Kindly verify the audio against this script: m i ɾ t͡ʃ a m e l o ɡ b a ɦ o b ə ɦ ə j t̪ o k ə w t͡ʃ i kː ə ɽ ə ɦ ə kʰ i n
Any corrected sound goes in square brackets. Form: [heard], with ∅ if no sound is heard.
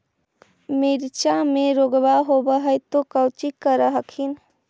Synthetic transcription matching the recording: m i ɾ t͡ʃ a m e [ɾ] o ɡ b a ɦ o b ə ɦ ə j t̪ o k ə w t͡ʃ i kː ə [ɾ] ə ɦ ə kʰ i n

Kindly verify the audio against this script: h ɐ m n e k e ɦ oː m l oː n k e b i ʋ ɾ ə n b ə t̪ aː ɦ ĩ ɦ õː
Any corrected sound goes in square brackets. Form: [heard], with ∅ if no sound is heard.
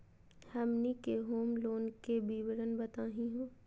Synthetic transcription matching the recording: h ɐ m n [i] k e ɦ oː m l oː n k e b i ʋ ɾ ə n b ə t̪ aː ɦ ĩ ɦ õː

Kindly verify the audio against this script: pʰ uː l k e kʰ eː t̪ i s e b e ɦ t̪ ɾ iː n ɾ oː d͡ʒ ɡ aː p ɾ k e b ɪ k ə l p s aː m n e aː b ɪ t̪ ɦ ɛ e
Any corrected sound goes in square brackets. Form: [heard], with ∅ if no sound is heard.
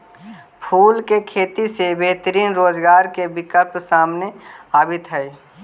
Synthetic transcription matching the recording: pʰ uː l k e kʰ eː t̪ i s e b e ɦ t̪ ɾ iː n ɾ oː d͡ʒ ɡ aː [∅] ɾ k e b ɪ k ə l p s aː m n e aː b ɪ t̪ ɦ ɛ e

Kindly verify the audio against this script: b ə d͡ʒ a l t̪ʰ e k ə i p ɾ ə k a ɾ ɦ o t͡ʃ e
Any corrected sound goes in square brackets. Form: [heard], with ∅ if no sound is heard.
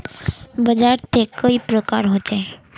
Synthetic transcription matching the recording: b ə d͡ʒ a [ɾ] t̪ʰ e k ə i p ɾ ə k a ɾ ɦ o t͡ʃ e

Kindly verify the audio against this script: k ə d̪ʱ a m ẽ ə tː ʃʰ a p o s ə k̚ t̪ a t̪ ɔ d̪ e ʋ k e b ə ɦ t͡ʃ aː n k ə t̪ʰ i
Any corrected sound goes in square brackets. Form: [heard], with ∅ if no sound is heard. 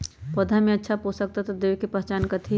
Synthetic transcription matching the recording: [p] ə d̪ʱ a m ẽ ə tː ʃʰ a p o s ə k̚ t̪ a t̪ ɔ d̪ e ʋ k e [p] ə ɦ t͡ʃ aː n k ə t̪ʰ i

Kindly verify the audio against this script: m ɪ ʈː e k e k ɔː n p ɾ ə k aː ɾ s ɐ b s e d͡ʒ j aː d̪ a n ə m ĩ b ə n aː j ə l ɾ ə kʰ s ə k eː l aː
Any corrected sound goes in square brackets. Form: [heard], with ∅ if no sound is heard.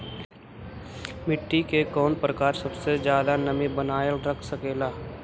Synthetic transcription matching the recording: m ɪ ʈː [i] k e k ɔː n p ɾ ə k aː ɾ s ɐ b s e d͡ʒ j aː d̪ a n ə m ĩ b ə n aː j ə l ɾ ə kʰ s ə k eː l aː

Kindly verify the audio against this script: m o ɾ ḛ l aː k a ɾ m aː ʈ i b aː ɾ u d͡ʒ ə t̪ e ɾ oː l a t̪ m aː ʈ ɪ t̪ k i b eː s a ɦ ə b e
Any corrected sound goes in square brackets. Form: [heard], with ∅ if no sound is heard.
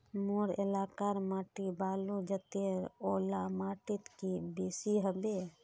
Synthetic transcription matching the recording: m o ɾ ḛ l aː k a ɾ m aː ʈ i b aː [l] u d͡ʒ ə t̪ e ɾ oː l a [∅] m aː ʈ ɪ t̪ k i b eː s [i] ɦ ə b e

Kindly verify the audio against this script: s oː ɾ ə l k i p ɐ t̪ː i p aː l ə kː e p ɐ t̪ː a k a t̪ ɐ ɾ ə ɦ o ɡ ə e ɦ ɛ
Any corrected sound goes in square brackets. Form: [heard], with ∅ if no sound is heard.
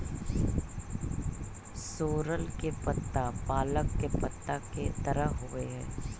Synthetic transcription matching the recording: s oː ɾ ə l k [e] p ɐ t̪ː [a] p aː l ə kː e p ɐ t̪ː a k [e] t̪ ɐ ɾ ə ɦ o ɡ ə e ɦ [ɛː]

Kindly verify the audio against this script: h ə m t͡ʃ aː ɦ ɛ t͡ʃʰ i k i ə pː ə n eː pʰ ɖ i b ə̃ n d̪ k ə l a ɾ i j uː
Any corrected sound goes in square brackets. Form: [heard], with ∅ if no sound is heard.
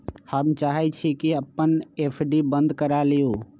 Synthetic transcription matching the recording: h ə m t͡ʃ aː ɦ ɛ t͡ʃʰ i k i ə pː ə n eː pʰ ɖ i b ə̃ n d̪ k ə [ɾ] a [l] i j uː

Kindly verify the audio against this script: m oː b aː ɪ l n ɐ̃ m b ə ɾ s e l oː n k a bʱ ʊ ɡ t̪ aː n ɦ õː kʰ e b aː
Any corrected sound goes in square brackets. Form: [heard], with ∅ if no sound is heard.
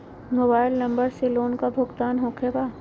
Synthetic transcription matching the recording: m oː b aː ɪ l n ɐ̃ m b ə ɾ s e l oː n k a bʱ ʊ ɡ t̪ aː n ɦ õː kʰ e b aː

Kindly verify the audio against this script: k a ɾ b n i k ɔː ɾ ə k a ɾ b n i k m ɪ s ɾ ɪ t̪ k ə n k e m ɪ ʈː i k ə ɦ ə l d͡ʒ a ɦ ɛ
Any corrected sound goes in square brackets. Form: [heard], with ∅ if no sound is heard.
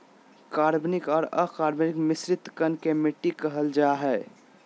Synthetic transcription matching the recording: k a ɾ b n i k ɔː ɾ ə k a ɾ b n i k m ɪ s ɾ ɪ t̪ k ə n k e m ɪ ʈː i k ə ɦ ə l d͡ʒ a ɦ ɛ

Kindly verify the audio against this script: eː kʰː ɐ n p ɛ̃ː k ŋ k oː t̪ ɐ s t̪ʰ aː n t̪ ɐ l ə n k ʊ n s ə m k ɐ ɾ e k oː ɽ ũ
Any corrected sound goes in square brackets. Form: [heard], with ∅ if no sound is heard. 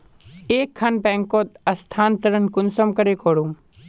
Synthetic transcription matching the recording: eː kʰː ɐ n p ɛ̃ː [∅] ŋ k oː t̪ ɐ s t̪ʰ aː n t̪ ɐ [ɾ] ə n k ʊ n s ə m k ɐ ɾ e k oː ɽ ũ

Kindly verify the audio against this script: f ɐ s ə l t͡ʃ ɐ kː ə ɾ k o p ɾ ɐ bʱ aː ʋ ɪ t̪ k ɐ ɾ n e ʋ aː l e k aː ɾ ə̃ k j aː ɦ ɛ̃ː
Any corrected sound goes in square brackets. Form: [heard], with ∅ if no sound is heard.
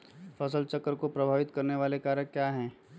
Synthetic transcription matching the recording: f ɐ s ə l t͡ʃ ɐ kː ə ɾ k o p ɾ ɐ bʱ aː ʋ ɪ t̪ k ɐ ɾ n e ʋ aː l e k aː ɾ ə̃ k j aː ɦ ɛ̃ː

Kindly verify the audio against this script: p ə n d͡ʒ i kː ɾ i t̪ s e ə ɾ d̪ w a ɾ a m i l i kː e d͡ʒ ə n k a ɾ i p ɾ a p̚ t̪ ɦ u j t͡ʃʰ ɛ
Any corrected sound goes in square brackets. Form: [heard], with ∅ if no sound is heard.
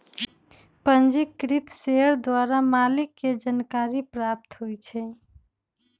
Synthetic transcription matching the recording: p ə n d͡ʒ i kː ɾ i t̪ s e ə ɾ d̪ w a ɾ a m [a] l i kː e d͡ʒ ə n k a ɾ i p ɾ a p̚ t̪ ɦ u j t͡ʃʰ ɛ

